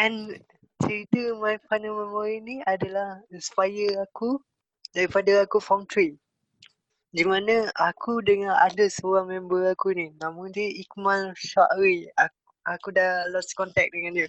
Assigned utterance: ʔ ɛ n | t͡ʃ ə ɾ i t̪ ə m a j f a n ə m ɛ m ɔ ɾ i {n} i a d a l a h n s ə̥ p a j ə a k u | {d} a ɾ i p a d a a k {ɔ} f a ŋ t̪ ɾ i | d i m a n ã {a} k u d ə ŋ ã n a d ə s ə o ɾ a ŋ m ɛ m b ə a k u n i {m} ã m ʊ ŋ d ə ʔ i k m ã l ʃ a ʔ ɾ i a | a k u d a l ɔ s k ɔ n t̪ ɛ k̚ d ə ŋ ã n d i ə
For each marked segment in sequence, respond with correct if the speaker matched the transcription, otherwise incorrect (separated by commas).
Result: correct, correct, incorrect, correct, incorrect